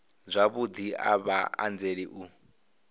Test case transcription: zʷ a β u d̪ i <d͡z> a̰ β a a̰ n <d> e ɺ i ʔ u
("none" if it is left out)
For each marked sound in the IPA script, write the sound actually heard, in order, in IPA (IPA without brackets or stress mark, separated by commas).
none, d͡z